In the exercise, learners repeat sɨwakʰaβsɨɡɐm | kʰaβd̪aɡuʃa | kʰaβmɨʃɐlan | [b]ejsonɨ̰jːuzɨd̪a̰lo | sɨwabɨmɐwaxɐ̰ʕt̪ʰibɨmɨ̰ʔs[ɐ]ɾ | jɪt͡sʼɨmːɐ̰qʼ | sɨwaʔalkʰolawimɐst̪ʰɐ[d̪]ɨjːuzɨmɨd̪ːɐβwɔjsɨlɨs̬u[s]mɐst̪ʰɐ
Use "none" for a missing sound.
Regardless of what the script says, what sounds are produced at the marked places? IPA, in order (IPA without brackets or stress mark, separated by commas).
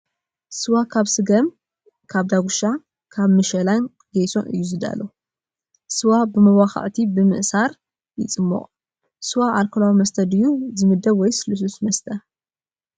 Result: ɡ, a, d̪, s